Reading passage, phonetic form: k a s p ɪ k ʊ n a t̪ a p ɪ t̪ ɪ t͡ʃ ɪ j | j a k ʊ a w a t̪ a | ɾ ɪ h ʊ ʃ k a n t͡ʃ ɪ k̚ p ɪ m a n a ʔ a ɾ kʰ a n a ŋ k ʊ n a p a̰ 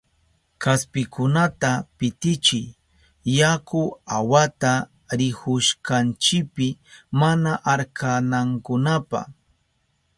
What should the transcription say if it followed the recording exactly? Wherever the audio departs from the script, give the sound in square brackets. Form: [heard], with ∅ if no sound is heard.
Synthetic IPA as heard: k a s p ɪ k ʊ n a t̪ a p ɪ t̪ ɪ t͡ʃ ɪ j | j a k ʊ a w a t̪ a | ɾ ɪ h ʊ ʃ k a n t͡ʃ ɪ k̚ p ɪ m a n a ʔ a ɾ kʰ a n a ŋ k ʊ n a p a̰